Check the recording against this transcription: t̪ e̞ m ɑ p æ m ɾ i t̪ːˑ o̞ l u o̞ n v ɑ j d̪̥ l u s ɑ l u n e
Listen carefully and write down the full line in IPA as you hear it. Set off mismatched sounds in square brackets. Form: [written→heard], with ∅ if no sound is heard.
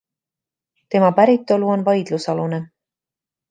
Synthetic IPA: t̪ e̞ m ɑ p æ [m→∅] ɾ i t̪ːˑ o̞ l u o̞ n v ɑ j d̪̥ l u s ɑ l u n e